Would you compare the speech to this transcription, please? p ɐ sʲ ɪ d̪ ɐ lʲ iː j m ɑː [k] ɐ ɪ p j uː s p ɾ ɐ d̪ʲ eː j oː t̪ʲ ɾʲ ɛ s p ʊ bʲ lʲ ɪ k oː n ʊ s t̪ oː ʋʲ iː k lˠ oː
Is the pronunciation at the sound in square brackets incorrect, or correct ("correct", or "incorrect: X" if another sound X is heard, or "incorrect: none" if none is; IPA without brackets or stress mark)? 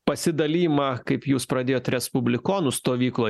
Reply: correct